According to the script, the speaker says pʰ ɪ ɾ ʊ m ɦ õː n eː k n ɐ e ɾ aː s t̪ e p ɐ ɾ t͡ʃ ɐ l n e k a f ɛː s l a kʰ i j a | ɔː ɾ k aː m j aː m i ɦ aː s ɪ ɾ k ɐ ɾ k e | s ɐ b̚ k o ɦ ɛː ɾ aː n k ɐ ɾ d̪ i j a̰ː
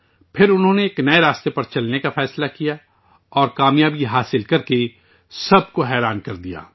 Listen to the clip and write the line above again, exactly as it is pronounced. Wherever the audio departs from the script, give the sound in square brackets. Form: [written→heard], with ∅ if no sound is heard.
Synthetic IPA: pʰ ɪ ɾ ʊ [m→n] ɦ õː n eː k n ɐ e ɾ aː s t̪ e p ɐ ɾ t͡ʃ ɐ l n e k a f ɛː s l a [kʰ→k] i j a | ɔː ɾ k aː m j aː [m→b] i ɦ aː s ɪ [ɾ→l] k ɐ ɾ k e | s ɐ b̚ k o ɦ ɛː ɾ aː n k ɐ ɾ d̪ i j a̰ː